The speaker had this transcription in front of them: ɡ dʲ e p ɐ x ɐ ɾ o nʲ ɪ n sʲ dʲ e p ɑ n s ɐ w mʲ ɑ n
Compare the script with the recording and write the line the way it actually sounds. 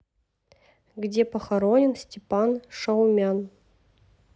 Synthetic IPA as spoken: ɡ dʲ e p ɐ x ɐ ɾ o nʲ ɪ n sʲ tʲ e p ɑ n ʂ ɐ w mʲ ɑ n